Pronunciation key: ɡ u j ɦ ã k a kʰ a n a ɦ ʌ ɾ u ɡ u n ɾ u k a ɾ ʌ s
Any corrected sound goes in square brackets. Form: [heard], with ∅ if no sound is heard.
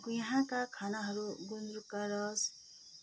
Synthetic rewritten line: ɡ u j ɦ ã k a kʰ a n a ɦ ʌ ɾ u ɡ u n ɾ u k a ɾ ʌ s